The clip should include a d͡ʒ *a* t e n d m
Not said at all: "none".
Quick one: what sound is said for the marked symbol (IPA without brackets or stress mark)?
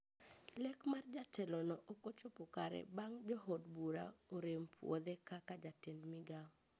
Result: a